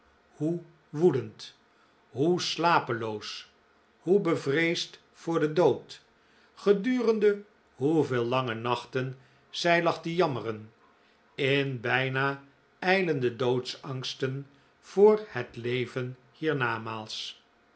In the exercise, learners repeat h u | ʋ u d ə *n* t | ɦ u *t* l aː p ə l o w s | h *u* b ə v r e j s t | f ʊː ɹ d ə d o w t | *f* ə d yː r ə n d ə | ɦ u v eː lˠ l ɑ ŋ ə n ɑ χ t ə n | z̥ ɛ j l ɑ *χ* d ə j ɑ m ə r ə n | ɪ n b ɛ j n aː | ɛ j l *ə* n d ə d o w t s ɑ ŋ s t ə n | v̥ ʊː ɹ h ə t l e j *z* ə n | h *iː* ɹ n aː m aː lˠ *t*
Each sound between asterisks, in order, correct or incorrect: correct, incorrect, correct, incorrect, correct, correct, incorrect, correct, incorrect

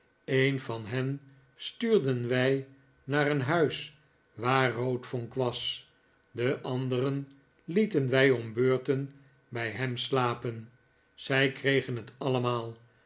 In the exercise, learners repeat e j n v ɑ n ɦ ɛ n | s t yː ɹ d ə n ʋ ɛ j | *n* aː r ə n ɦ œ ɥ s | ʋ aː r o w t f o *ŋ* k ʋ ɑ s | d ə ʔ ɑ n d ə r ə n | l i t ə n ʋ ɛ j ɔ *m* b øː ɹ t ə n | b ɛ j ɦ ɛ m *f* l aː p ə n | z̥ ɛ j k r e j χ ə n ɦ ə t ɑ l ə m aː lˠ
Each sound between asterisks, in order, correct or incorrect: correct, correct, correct, incorrect

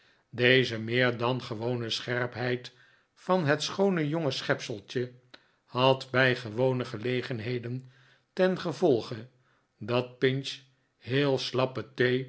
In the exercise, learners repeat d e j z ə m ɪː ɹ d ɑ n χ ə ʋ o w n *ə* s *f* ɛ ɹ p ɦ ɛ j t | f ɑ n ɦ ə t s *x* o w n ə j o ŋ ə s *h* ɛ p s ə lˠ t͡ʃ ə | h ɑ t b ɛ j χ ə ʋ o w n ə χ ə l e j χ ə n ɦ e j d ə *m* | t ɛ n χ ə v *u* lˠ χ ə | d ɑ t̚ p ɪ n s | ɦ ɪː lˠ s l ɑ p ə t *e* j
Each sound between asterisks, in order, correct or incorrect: correct, incorrect, incorrect, incorrect, incorrect, incorrect, correct

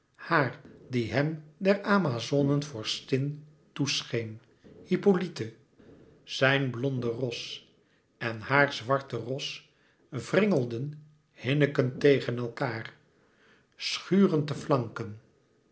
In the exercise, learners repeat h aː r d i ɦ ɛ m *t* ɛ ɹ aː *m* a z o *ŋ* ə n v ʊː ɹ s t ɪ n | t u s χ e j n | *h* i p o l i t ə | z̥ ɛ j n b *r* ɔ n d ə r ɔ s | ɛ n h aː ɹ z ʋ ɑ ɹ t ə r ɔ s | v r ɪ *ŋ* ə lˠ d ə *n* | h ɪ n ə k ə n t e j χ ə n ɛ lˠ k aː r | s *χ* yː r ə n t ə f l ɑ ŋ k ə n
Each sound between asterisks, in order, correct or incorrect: incorrect, correct, incorrect, correct, incorrect, correct, correct, correct

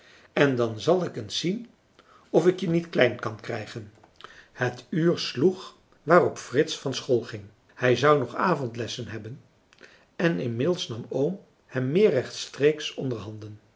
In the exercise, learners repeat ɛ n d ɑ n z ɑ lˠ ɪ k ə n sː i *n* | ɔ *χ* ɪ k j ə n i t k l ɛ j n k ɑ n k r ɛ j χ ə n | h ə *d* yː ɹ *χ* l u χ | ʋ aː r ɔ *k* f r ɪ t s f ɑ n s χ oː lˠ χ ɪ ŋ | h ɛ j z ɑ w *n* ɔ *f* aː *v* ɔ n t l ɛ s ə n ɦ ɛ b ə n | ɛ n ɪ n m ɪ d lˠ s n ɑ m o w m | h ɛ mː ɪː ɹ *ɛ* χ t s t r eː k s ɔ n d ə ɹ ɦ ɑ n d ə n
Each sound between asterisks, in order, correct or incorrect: correct, incorrect, incorrect, incorrect, incorrect, correct, incorrect, correct, correct

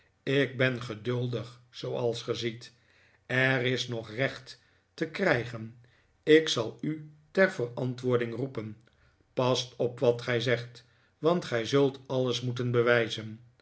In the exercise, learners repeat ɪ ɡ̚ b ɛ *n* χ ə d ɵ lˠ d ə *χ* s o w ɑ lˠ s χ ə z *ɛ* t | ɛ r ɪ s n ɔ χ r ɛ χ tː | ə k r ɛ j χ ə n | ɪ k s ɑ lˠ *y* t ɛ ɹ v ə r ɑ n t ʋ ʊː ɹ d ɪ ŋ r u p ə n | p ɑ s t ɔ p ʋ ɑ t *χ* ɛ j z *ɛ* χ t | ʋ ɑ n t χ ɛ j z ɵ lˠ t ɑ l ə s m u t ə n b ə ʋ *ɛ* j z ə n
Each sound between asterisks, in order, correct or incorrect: correct, correct, incorrect, correct, correct, correct, correct

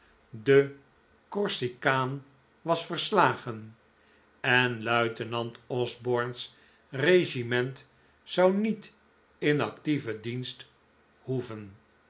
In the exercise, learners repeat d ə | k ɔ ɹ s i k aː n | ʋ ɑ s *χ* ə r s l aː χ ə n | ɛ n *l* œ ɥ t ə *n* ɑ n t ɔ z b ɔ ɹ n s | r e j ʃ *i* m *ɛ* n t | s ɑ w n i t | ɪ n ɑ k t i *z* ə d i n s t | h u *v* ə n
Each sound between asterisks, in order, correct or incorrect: incorrect, correct, correct, correct, correct, incorrect, correct

